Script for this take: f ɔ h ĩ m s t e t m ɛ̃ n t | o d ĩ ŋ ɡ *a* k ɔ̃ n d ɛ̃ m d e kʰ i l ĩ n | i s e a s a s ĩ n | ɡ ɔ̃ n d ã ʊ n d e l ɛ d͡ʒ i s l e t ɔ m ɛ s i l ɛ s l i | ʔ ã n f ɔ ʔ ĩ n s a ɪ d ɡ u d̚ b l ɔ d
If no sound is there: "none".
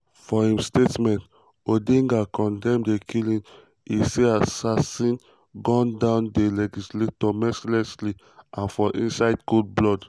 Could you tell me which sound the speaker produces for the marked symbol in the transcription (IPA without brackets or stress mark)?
a